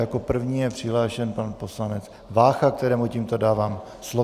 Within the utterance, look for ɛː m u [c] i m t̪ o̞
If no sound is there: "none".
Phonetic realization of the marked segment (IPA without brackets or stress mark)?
c